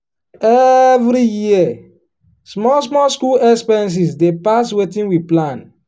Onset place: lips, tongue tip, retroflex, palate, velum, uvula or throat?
lips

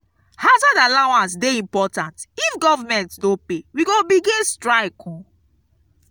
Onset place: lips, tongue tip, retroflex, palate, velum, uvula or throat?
throat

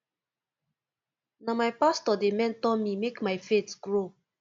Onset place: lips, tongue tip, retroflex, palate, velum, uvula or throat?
tongue tip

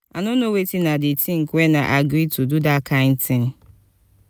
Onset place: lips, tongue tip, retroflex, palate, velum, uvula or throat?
tongue tip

